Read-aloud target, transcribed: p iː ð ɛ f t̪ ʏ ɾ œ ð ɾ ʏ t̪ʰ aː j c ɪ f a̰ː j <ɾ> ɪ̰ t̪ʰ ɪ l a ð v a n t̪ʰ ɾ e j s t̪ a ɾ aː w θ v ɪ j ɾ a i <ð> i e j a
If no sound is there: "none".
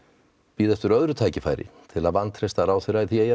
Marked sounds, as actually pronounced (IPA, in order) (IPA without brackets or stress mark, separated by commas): ɾ, θ